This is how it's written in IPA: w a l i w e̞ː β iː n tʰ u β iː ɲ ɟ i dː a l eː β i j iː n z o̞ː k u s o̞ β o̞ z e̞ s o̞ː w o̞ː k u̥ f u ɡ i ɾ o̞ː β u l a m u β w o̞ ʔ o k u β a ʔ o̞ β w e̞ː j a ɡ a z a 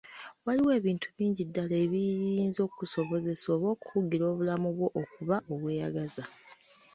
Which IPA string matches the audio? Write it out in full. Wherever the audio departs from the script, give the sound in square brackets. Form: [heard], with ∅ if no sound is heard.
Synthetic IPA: w a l i w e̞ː β iː n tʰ u β iː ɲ ɟ i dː a l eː β i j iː n z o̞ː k u s o̞ β o̞ z e̞ s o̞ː [β] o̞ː k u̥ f u ɡ i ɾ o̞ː β u l a m u β w o̞ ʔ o k u β a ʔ o̞ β w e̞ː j a ɡ a z a